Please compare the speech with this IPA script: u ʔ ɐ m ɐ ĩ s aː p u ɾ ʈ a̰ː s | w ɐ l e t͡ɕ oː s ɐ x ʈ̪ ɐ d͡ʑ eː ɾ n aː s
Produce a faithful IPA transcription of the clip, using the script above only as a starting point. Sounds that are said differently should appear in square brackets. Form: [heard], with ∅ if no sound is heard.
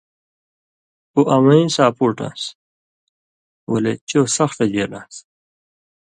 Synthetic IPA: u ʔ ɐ m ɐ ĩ s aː p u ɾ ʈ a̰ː s | w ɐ l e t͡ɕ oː s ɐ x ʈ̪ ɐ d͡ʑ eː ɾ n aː s